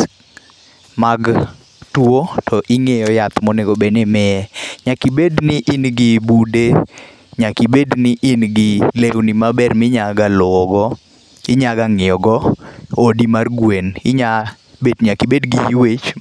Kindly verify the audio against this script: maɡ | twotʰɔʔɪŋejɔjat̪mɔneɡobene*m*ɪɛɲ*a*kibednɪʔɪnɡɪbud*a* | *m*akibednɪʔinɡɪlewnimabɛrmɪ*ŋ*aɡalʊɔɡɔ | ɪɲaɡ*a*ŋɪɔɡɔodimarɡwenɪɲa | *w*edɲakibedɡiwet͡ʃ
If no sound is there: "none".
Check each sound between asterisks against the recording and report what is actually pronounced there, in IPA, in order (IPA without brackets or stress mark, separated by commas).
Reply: m, a, e, ɲ, ɲ, a, b